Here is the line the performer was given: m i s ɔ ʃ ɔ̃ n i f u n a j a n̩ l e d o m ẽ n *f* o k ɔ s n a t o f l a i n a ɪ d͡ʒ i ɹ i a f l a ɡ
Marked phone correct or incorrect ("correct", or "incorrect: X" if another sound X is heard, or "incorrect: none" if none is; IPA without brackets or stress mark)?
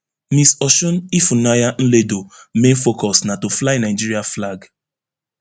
correct